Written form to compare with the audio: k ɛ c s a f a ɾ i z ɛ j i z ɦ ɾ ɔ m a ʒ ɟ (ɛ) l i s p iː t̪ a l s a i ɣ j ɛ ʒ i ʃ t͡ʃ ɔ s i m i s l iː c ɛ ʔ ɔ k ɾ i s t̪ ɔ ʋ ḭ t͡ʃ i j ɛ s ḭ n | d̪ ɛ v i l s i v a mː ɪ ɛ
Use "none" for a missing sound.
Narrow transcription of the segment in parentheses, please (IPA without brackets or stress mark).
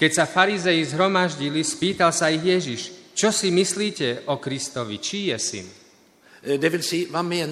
i